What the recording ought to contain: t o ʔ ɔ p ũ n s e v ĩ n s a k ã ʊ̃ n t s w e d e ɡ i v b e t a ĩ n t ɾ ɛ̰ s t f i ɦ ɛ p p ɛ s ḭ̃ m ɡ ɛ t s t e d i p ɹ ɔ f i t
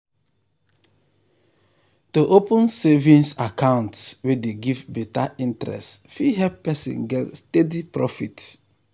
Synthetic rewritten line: t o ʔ o p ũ n s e v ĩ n s a k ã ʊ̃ n t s w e d e ɡ i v b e t a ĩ n t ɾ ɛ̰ s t f i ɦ ɛ p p ɛ s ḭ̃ n ɡ ɛ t s t e d i p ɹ ɔ f i t